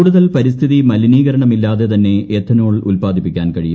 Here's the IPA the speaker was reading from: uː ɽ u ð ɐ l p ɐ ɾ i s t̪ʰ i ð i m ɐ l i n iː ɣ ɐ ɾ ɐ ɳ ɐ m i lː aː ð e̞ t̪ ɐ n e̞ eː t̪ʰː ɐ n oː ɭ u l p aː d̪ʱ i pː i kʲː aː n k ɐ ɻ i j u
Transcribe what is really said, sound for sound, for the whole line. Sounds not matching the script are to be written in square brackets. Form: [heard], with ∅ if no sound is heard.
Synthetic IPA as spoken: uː ɽ u ð ɐ l p ɐ ɾ i s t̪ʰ i ð i m ɐ l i n iː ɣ ɐ ɾ ɐ ɳ ɐ m i lː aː ð e̞ t̪ ɐ [nː] e̞ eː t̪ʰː ɐ n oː ɭ u l p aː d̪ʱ i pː i kʲː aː n k ɐ ɻ i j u